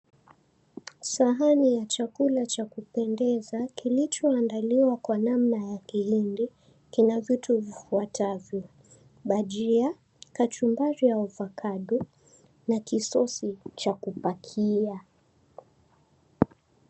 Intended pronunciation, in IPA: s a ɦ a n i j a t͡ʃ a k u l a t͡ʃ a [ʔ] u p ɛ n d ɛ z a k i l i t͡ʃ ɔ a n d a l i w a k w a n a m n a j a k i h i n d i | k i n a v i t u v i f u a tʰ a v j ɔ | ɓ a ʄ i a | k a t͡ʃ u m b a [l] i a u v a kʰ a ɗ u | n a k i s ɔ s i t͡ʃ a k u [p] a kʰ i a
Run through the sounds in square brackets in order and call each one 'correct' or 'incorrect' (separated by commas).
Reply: incorrect, incorrect, correct